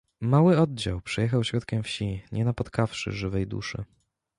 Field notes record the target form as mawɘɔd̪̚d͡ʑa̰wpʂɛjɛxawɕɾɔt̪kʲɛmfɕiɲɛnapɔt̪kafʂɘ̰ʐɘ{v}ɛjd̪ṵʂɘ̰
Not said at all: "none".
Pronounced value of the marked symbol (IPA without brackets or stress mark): v